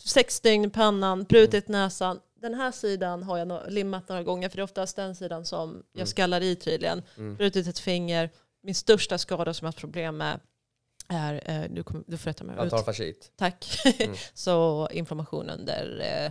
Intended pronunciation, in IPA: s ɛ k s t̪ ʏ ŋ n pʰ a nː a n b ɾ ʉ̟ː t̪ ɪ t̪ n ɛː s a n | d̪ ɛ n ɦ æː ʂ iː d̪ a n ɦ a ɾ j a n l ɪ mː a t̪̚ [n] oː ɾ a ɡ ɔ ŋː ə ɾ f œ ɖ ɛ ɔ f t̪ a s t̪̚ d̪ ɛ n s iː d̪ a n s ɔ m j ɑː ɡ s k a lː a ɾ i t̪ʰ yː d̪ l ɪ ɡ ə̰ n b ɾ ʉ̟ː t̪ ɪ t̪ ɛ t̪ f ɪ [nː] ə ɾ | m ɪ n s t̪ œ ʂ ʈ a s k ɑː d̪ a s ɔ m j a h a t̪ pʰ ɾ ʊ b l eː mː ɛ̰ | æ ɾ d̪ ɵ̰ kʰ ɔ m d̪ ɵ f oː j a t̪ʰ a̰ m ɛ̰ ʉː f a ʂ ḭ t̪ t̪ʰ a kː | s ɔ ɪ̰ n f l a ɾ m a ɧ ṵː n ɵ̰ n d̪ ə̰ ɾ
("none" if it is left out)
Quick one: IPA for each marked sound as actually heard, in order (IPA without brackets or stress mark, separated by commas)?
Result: n, ŋː